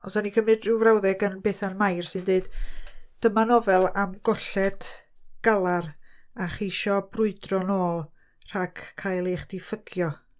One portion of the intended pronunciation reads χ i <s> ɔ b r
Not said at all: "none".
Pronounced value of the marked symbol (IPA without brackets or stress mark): ʃ